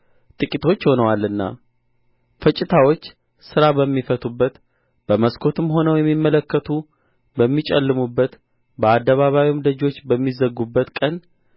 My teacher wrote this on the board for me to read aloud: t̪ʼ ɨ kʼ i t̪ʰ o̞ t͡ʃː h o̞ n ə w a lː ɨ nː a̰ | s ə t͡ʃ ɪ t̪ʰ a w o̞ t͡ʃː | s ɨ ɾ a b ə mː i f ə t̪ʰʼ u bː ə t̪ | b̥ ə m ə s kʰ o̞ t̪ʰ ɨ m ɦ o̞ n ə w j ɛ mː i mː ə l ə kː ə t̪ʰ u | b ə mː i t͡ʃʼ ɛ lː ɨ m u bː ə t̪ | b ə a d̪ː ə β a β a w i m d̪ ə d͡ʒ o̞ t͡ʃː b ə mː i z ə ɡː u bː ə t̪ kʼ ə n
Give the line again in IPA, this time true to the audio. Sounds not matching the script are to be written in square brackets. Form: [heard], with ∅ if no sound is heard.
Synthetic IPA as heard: t̪ʼ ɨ kʼ i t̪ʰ o̞ t͡ʃː h o̞ n ə w a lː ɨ nː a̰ | [f] ə [t͡ʃʼ] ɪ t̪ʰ a w o̞ t͡ʃː | s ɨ ɾ a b ə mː i f ə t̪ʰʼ u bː ə t̪ | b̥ ə m ə s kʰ o̞ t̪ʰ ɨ m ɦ o̞ n ə w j ɛ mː i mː ə l ə kː ə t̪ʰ u | b ə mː i t͡ʃʼ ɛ lː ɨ m u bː ə t̪ | b ə a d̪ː ə β a β a w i m d̪ ə d͡ʒ o̞ t͡ʃː b ə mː i z ə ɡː u bː ə t̪ kʼ ə n

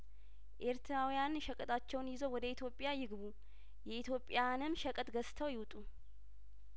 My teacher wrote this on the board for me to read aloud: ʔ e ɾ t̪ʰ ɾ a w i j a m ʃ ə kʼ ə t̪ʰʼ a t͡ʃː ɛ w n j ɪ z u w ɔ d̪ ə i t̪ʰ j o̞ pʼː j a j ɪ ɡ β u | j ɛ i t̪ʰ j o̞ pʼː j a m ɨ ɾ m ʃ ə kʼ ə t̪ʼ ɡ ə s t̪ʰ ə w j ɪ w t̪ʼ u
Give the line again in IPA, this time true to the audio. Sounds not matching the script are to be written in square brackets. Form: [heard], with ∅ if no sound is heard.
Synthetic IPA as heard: ʔ e ɾ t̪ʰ ɾ a w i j a [n] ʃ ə kʼ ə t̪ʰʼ a t͡ʃː ɛ w n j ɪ z [o] w ɔ d̪ ə i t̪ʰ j o̞ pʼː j a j ɪ ɡ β u | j ɛ i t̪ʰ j o̞ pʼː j a [n] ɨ [∅] m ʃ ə kʼ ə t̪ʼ ɡ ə s t̪ʰ ə w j ɪ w t̪ʼ u

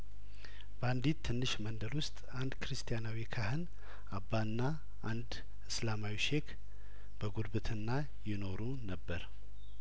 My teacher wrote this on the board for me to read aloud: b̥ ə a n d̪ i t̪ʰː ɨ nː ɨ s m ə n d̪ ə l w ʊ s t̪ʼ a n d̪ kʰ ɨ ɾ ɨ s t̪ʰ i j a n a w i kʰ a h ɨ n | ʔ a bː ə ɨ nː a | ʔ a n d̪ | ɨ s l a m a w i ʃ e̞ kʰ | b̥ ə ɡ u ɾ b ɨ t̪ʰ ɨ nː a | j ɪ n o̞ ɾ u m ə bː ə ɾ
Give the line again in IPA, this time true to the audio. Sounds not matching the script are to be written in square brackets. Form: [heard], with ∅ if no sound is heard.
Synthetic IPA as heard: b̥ ə a n d̪ i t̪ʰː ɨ nː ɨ [ʃ] m ə n d̪ ə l w ʊ s t̪ʼ a n d̪ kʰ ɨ ɾ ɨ s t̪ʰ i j a n a w i kʰ a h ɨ n | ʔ a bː [a] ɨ nː a | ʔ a n d̪ | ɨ s l a m a w i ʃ e̞ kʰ | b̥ ə ɡ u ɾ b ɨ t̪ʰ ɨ nː a | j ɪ n o̞ ɾ u [n] ə bː ə ɾ

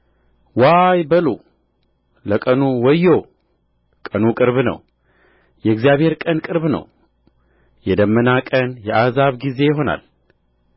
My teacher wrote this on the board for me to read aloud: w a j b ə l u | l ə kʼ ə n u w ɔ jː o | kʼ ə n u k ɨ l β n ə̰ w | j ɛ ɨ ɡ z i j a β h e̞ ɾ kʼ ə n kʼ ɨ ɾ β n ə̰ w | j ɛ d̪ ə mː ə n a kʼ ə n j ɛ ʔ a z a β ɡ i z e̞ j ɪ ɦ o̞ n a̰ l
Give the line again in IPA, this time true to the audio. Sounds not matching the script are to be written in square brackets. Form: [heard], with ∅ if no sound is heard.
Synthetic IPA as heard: w a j b ə l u | l ə kʼ ə n u w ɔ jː o | kʼ ə n u [kʼ] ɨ [ɾ] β n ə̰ w | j ɛ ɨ ɡ z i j a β h e̞ ɾ kʼ ə n kʼ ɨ ɾ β n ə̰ w | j ɛ d̪ ə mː ə n a kʼ ə n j ɛ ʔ a z a β ɡ i z e̞ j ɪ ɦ o̞ n a̰ l

